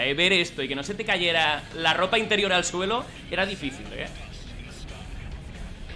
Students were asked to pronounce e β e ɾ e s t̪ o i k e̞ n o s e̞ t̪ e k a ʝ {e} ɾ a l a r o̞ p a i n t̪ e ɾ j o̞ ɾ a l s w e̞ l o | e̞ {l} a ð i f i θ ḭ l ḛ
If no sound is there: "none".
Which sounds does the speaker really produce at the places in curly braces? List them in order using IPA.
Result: e, ɾ

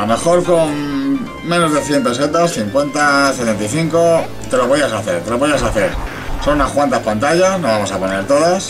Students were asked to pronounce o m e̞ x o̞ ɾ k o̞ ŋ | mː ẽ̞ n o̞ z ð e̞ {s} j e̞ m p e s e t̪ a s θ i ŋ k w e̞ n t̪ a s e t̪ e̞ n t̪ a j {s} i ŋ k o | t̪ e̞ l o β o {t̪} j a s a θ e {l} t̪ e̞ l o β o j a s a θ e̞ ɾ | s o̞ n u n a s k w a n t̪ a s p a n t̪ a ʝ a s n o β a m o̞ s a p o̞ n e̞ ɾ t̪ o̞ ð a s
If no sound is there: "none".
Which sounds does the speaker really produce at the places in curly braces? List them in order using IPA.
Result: θ, θ, none, ɾ

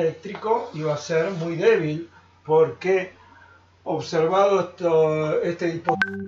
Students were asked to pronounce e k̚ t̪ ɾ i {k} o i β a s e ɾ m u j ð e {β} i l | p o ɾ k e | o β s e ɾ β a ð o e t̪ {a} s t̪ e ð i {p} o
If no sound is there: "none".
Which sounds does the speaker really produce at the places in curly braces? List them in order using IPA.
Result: k, β, e, p

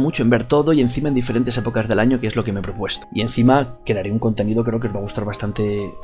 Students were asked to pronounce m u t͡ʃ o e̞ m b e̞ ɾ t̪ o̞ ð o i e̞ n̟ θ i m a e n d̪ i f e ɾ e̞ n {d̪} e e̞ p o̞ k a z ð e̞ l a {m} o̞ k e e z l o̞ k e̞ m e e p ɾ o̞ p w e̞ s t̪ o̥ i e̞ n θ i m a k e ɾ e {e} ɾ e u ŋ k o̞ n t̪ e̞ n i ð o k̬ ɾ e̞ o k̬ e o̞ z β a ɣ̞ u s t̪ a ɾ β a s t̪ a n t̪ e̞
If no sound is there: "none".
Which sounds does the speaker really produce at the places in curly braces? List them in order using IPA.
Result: t̪, ɲ, a

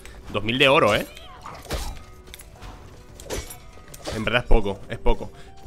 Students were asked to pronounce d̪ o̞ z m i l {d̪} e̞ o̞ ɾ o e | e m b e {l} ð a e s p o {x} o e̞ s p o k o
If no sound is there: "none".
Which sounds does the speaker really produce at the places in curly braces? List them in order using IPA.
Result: d̪, ɾ, k

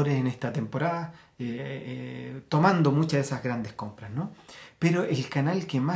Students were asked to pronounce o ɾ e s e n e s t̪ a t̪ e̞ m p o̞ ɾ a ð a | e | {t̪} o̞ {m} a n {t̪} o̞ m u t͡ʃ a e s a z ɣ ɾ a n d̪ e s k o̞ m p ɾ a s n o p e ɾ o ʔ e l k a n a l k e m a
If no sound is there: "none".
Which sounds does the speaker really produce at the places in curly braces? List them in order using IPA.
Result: t̪, m, d̪

